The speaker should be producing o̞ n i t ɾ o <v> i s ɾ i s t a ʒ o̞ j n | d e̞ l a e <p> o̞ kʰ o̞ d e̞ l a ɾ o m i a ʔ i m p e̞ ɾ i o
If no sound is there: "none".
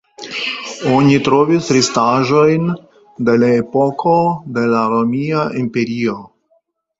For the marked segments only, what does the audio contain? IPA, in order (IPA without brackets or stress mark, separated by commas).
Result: v, p